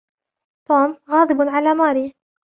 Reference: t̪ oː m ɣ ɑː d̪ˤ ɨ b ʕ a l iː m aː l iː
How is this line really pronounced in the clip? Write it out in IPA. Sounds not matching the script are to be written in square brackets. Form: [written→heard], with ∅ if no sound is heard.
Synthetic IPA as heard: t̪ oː m ɣ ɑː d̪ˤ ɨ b ʕ a l [iː→aː] m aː [l→ɾ] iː